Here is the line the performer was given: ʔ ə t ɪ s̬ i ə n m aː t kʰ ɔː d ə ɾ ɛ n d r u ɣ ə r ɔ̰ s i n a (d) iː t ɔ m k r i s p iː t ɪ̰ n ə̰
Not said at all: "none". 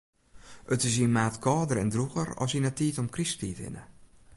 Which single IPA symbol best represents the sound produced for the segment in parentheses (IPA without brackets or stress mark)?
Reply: t